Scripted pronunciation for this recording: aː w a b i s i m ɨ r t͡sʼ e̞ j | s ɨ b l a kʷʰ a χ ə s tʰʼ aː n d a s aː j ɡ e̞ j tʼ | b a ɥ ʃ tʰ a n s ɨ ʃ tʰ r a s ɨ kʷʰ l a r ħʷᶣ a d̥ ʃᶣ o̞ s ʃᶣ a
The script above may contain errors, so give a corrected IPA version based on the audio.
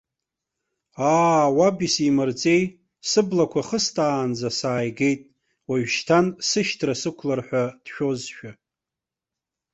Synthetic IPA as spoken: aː w a b i s i m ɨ r t͡sʼ e̞ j | s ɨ b l a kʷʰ a χ ə s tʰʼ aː n d͡z a s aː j ɡ e̞ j tʼ | w a ɥ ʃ tʰ a n s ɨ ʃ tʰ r a s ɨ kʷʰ l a r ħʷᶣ a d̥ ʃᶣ o̞ z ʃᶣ a